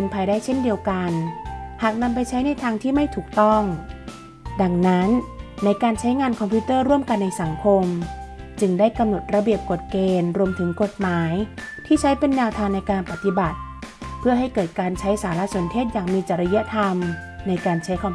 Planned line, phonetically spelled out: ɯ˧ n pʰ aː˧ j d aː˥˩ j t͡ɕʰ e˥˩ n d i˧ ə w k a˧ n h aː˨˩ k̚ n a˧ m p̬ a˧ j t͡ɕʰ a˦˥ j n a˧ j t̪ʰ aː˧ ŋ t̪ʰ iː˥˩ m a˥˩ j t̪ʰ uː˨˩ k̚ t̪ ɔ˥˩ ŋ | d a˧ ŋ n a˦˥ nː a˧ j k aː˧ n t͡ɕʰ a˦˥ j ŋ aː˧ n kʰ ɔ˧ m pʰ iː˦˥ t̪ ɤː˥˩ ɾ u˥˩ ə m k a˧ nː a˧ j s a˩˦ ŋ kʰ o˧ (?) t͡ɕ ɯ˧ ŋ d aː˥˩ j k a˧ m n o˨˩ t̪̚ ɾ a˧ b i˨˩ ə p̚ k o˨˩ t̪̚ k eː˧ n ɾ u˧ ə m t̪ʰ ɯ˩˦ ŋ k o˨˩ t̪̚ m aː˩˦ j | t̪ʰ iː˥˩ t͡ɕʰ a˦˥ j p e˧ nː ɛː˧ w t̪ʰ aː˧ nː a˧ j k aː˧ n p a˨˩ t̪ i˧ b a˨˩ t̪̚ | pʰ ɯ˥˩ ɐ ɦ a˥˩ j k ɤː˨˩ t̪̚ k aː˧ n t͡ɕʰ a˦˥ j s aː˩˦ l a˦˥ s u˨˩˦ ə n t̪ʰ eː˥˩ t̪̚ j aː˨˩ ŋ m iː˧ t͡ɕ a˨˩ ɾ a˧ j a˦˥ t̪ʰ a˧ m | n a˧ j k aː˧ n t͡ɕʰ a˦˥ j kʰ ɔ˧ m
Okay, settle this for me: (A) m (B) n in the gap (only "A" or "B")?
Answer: A